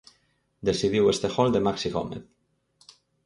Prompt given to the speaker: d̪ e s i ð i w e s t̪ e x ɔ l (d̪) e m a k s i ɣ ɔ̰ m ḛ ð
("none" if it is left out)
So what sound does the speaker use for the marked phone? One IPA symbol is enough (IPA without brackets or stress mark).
d̪